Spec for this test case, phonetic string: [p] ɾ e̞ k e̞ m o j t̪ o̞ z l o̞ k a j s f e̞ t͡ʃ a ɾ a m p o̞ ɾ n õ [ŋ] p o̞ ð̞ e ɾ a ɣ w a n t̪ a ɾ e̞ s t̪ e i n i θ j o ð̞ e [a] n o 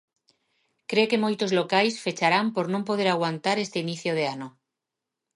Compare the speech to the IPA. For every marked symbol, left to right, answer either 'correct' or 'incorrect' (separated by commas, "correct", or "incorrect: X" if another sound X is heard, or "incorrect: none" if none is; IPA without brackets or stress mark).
incorrect: k, incorrect: m, correct